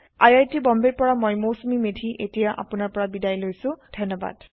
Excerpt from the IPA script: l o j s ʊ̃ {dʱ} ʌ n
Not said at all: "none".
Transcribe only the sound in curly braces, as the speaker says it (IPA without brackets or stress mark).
dʱ